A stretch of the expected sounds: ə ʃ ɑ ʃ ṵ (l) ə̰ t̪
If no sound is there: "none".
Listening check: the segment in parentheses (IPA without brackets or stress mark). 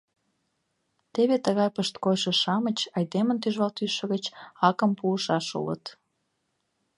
l